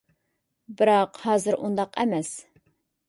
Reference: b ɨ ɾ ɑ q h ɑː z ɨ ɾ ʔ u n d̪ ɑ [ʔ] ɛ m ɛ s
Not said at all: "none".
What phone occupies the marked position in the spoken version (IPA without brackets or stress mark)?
q